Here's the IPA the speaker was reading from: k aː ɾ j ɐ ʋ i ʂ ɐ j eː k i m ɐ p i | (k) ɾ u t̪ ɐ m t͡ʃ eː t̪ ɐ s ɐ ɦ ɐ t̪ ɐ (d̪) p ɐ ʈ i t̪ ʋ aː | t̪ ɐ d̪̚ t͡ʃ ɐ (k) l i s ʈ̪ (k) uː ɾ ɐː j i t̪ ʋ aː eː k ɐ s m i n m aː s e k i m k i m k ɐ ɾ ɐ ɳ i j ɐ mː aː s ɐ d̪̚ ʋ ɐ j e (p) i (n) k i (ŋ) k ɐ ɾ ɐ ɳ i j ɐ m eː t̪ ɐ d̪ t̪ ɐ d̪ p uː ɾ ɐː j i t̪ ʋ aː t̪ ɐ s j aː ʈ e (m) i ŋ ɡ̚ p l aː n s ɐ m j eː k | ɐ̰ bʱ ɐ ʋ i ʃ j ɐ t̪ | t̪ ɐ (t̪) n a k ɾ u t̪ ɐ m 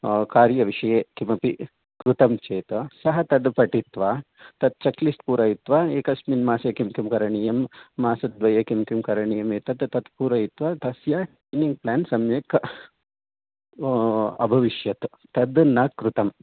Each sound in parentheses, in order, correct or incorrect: correct, correct, correct, incorrect, incorrect, incorrect, incorrect, incorrect, incorrect

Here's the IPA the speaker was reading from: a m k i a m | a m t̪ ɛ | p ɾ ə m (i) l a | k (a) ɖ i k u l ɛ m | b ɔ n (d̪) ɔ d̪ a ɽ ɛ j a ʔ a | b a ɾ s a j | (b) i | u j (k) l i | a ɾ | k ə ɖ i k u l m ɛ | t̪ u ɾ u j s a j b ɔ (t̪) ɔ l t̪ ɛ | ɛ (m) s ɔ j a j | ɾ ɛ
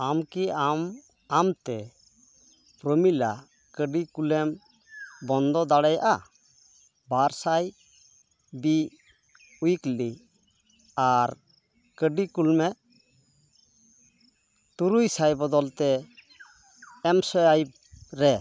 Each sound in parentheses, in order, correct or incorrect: correct, incorrect, correct, correct, correct, incorrect, correct

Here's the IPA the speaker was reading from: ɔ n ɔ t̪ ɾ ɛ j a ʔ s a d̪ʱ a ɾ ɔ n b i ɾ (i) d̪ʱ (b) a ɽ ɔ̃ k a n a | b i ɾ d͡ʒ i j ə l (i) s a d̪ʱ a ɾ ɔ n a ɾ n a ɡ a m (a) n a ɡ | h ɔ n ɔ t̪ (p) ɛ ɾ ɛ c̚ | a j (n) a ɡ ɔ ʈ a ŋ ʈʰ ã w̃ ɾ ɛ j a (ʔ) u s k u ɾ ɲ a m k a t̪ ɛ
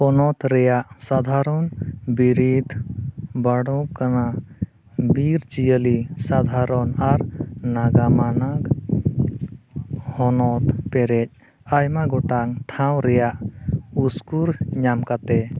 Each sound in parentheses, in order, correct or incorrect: correct, correct, correct, correct, correct, incorrect, correct

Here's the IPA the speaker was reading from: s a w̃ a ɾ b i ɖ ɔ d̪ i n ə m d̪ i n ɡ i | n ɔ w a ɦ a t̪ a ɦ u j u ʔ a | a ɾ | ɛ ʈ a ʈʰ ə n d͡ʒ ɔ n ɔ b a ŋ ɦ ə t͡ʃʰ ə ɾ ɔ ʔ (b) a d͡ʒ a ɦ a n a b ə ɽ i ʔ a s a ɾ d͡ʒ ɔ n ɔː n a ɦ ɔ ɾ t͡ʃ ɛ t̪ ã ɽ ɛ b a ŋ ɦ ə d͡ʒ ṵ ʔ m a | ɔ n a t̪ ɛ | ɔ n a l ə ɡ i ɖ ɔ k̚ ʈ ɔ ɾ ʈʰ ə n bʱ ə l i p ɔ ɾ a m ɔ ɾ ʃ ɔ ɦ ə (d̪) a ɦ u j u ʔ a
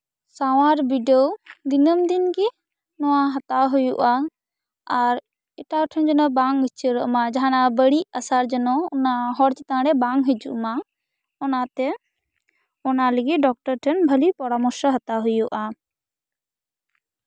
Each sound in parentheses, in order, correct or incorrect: incorrect, incorrect

